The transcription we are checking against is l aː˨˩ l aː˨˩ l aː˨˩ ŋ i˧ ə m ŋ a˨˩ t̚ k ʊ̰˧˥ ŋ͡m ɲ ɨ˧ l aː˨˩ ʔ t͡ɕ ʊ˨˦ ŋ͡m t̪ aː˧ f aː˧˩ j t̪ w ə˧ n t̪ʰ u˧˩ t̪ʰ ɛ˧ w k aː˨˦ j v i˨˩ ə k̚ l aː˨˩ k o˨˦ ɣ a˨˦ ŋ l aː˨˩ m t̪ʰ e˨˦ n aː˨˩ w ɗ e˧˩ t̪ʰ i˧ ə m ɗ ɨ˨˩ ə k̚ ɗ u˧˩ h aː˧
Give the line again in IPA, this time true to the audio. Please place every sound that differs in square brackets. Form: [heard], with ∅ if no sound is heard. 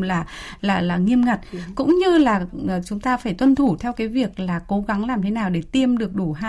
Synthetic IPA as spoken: l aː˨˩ l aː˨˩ l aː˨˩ ŋ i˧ ə m ŋ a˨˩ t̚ k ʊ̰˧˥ ŋ͡m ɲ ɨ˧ l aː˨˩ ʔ t͡ɕ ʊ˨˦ ŋ͡m t̪ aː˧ f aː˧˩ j t̪ w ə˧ n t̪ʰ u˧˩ t̪ʰ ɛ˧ w k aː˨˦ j v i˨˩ ə k̚ l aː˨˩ k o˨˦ ɣ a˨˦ ŋ l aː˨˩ m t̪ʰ e˨˦ n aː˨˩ w ɗ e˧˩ [t̪] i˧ ə m ɗ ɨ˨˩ ə k̚ ɗ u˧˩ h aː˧